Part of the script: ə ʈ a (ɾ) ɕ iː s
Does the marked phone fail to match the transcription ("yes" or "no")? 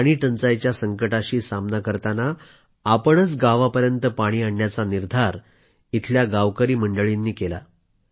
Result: yes